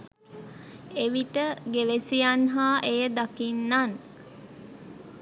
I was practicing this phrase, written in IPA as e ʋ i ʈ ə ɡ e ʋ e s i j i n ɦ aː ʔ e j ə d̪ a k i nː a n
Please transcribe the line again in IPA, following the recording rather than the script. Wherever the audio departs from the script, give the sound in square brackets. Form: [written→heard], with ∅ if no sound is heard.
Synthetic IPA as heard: e ʋ i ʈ ə ɡ e ʋ e s i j [i→a] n ɦ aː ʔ e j ə d̪ a k i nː a n